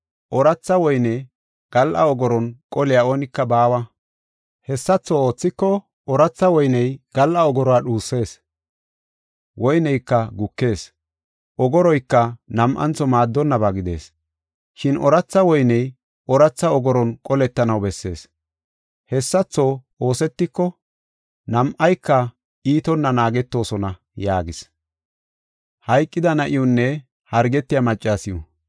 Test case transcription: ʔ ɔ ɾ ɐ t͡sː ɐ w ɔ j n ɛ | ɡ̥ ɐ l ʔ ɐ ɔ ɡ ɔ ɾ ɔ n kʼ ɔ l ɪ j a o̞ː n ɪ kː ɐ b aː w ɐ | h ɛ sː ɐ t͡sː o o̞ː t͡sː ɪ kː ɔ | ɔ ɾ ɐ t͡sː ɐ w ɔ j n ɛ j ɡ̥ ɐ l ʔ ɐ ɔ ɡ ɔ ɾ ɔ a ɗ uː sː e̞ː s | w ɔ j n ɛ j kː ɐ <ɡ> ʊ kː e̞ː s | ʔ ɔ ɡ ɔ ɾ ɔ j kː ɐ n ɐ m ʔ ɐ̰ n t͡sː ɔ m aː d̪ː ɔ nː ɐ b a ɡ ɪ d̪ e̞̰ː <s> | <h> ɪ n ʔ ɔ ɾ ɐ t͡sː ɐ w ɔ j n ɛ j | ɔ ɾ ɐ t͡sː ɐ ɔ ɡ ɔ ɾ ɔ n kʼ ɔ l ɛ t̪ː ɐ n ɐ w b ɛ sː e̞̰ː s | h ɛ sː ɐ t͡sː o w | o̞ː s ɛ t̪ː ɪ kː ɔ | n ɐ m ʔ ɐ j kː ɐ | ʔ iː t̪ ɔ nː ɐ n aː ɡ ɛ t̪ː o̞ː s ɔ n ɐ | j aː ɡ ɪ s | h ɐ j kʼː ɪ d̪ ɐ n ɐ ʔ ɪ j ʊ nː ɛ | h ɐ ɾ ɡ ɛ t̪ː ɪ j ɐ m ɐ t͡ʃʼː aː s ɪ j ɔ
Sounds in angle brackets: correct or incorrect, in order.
correct, correct, incorrect

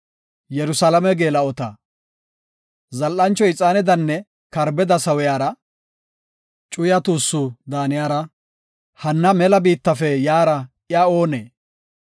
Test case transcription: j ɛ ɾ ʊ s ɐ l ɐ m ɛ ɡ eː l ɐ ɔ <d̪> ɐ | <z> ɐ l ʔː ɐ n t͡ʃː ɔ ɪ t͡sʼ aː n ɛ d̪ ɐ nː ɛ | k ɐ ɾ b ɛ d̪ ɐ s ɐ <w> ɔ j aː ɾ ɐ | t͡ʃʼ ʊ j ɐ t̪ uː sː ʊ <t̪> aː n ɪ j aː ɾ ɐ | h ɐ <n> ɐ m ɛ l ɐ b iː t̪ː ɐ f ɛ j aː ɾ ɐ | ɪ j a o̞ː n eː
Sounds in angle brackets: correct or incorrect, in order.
incorrect, correct, correct, incorrect, incorrect

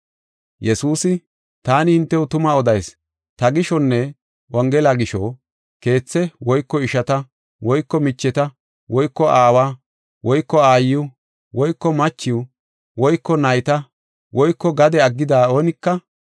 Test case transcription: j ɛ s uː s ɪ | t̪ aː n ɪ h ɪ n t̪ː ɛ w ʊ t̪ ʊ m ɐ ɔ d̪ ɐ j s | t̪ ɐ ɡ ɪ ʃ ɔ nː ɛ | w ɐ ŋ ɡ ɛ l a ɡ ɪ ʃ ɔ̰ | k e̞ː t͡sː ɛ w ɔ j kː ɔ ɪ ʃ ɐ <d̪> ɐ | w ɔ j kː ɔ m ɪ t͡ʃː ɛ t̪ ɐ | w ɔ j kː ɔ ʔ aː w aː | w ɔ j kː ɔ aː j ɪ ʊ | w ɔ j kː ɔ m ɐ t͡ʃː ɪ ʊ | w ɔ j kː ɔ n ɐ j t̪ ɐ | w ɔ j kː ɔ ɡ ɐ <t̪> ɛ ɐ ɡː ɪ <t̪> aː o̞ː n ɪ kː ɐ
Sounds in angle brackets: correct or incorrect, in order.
incorrect, incorrect, incorrect

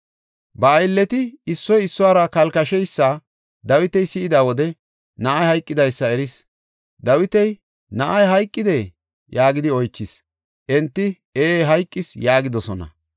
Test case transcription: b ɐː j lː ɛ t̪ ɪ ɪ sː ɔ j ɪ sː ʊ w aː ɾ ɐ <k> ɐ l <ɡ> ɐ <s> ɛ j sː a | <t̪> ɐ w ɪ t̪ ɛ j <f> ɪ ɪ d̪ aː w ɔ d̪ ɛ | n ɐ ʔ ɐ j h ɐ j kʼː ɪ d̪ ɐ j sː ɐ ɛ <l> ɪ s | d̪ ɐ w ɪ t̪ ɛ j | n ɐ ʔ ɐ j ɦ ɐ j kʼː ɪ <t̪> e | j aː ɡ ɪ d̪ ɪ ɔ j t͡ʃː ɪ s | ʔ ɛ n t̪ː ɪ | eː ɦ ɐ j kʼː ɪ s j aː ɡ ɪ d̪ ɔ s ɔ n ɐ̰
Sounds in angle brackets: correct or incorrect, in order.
correct, incorrect, incorrect, incorrect, incorrect, incorrect, incorrect

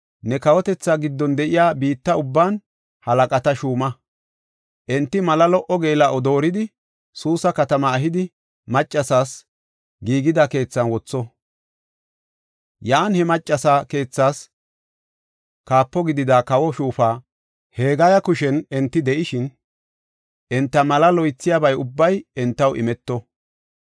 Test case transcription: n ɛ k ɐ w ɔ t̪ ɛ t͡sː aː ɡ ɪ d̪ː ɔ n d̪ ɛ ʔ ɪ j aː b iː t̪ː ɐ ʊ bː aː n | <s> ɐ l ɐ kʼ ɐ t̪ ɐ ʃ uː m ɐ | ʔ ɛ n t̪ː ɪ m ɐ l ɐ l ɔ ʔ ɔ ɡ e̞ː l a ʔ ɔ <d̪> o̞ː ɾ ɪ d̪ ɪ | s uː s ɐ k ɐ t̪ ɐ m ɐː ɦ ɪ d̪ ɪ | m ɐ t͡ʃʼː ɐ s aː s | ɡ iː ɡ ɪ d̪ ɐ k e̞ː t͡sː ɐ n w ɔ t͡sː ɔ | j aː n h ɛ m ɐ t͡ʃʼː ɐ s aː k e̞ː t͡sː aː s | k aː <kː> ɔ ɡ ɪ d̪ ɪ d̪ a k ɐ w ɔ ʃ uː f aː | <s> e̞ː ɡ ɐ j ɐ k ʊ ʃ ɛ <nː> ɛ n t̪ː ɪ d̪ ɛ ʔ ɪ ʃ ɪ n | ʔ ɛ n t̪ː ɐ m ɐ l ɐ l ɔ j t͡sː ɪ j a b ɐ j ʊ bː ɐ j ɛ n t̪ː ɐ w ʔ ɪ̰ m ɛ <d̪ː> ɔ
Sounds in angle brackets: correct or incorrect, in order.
incorrect, correct, incorrect, incorrect, incorrect, incorrect

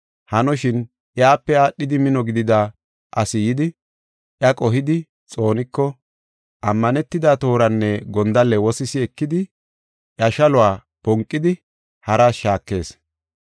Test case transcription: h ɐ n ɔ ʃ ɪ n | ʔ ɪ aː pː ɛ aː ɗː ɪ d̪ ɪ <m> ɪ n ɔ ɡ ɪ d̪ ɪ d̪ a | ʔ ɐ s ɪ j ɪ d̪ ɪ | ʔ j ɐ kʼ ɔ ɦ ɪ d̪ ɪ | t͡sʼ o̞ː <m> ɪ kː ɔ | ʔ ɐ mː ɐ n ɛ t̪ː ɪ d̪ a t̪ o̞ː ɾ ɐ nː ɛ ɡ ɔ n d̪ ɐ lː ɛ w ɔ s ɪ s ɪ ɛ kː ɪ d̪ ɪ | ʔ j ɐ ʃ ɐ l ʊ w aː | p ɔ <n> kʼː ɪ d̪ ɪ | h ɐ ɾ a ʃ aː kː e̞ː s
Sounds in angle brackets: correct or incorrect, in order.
correct, incorrect, incorrect

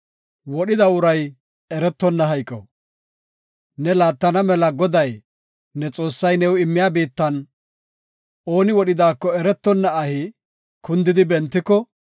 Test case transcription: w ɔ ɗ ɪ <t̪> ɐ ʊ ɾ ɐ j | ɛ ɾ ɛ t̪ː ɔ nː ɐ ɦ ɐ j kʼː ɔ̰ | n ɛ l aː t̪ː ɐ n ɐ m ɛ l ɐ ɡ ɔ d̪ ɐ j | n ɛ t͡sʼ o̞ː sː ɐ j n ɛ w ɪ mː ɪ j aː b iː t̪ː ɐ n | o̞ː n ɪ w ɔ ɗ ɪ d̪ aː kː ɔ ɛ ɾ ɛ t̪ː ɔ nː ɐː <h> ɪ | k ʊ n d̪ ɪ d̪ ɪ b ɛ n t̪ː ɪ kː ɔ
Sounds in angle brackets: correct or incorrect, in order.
incorrect, correct

